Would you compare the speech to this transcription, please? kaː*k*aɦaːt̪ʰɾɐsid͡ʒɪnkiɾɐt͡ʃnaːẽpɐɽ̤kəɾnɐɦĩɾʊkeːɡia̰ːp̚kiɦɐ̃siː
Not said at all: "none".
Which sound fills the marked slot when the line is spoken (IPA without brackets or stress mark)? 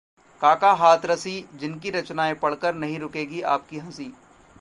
k